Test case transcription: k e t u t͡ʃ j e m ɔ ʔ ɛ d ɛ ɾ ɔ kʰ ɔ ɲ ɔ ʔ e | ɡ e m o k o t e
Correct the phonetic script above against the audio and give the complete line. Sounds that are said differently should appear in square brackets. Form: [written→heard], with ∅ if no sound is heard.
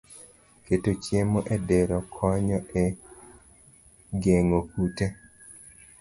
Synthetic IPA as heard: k e t [u→o] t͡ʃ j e m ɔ ʔ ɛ d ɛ ɾ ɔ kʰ ɔ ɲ ɔ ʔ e | ɡ e [m→ŋ] o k [o→u] t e